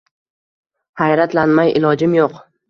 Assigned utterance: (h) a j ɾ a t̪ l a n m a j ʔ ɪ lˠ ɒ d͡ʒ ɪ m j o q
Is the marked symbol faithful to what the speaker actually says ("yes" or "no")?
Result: yes